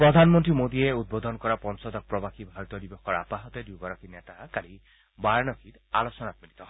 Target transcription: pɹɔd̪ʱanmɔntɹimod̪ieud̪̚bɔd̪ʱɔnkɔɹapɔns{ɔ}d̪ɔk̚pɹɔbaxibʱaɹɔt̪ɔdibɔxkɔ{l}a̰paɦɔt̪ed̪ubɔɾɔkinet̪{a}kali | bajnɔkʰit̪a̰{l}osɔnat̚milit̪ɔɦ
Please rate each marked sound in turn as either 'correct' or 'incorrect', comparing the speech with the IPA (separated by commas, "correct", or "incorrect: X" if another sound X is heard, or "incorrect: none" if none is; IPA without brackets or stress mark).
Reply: correct, incorrect: ɹ, correct, correct